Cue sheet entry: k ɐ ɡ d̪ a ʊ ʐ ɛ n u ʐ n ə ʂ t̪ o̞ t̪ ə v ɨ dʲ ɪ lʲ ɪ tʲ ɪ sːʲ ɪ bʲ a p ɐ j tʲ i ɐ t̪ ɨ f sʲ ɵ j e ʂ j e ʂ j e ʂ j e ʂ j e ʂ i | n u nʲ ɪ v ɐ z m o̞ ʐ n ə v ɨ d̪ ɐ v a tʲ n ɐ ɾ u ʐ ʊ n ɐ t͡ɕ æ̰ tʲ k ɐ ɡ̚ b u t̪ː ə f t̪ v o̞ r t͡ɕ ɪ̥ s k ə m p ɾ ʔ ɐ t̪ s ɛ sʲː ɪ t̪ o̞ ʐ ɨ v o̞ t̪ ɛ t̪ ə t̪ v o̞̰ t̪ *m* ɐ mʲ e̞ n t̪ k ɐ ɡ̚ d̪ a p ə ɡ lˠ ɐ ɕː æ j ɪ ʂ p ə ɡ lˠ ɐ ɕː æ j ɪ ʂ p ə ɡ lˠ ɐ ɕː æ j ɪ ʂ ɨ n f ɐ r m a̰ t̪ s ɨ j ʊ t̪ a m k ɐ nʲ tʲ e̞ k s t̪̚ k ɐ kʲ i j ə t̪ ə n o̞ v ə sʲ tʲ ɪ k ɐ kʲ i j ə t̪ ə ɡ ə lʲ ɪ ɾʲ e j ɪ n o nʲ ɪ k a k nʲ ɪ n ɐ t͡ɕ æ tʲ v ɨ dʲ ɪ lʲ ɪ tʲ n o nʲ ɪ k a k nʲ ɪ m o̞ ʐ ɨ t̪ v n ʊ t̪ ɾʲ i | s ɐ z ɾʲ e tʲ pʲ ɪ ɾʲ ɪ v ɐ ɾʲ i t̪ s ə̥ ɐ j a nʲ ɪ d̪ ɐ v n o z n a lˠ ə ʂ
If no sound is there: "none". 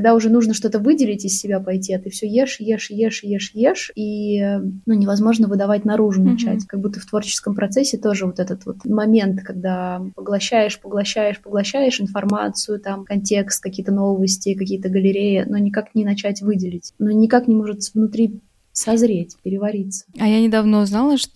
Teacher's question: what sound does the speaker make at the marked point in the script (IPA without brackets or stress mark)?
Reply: m